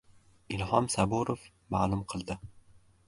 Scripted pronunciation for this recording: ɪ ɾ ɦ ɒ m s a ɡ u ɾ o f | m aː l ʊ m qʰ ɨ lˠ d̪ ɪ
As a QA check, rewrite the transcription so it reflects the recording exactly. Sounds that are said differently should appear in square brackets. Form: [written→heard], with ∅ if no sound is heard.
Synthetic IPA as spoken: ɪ [ɾ→l] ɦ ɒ m s a [ɡ→b] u ɾ o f | m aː l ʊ m qʰ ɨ lˠ d̪ ɪ